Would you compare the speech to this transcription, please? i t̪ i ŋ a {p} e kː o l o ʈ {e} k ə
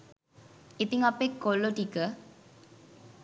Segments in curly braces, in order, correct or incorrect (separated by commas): correct, incorrect